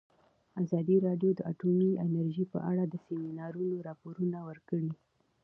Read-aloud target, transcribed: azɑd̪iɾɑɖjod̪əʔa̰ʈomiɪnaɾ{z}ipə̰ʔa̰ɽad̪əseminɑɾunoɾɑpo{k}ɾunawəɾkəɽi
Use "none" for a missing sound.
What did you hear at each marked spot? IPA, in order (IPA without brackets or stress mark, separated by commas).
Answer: ʒ, none